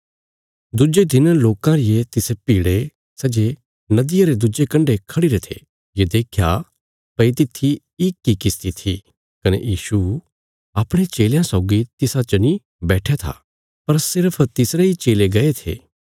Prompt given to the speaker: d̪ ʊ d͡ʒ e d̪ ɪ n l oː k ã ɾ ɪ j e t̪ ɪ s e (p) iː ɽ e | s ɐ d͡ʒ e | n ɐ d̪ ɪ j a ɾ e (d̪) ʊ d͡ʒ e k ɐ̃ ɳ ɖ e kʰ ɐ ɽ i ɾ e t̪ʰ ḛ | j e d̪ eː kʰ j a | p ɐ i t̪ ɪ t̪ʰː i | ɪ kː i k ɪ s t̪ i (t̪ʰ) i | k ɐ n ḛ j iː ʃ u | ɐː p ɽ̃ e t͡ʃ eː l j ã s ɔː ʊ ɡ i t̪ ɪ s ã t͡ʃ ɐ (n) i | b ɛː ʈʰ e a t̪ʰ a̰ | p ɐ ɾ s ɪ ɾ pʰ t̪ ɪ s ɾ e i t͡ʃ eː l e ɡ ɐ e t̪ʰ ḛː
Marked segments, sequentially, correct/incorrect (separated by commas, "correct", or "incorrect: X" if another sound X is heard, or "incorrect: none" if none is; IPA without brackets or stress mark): correct, correct, correct, correct